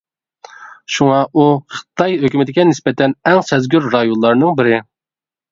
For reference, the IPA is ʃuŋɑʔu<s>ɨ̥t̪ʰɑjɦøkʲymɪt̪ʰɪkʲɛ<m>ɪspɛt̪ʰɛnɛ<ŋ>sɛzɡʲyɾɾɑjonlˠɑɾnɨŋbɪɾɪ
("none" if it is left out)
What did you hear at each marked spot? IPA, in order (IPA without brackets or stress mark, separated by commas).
χ, n, ŋ